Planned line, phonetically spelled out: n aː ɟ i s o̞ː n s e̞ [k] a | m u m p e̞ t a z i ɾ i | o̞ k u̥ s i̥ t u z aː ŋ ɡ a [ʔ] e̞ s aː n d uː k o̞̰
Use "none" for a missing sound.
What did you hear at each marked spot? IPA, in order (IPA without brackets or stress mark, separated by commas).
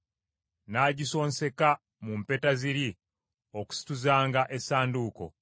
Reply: k, ʔ